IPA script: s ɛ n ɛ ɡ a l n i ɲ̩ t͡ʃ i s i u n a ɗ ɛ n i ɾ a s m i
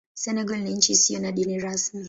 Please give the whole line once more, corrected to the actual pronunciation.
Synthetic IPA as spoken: s ɛ n ɛ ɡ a l n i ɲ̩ t͡ʃ i s i ɔ n a ɗ i n i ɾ a s m i